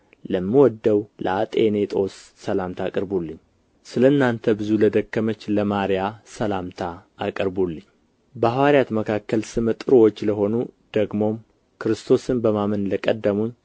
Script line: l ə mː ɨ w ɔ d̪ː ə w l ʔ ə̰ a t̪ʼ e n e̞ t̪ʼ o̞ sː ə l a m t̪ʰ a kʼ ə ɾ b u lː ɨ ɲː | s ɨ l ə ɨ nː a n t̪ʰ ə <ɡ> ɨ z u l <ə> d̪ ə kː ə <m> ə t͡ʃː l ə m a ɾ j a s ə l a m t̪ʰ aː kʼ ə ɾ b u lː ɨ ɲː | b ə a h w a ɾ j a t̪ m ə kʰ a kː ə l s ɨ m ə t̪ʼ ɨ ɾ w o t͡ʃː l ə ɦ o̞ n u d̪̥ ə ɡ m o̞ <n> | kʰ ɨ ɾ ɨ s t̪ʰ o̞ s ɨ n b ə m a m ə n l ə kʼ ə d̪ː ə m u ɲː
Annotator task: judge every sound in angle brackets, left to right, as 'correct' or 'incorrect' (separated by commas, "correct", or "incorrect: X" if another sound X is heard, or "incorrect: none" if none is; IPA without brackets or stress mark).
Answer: incorrect: b, correct, correct, incorrect: m